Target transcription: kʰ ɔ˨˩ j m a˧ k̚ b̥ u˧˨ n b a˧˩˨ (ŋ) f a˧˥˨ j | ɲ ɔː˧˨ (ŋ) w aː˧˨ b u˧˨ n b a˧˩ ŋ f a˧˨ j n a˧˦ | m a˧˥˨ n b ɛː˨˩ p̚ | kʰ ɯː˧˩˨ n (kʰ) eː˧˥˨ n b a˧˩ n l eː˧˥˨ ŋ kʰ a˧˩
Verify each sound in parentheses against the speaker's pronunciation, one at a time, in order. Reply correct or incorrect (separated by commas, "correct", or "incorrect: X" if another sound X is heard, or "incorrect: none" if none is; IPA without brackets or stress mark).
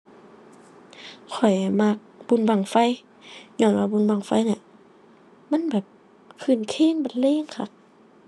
correct, incorrect: n, correct